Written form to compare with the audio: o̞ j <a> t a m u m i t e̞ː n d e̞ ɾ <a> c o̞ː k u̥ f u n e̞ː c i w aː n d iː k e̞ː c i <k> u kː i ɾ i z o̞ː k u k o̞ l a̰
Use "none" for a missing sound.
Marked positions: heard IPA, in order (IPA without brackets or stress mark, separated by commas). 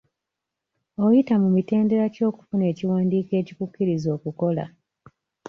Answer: i, a, k